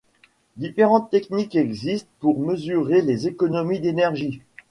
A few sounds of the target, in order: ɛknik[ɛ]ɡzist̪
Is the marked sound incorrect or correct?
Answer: correct